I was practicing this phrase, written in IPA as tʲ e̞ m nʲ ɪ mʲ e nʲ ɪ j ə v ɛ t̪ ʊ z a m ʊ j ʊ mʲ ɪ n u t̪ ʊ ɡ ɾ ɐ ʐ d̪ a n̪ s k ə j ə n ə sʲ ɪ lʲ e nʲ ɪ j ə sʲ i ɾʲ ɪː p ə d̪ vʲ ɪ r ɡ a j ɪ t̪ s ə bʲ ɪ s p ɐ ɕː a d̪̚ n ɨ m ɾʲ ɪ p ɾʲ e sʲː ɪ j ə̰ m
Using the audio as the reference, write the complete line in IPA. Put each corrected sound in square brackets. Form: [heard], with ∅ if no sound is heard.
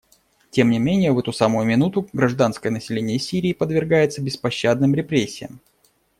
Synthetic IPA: tʲ e̞ m nʲ ɪ mʲ e nʲ ɪ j ə v ɛ t̪ ʊ [s] a m ʊ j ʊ mʲ ɪ n u t̪ ʊ ɡ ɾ ɐ ʐ d̪ a n̪ s k ə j ə n ə sʲ ɪ lʲ e nʲ ɪ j ə sʲ i ɾʲ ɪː p ə d̪ vʲ ɪ r ɡ a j ɪ t̪ s ə bʲ ɪ s p ɐ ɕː a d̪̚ n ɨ m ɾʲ ɪ p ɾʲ e sʲː ɪ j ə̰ m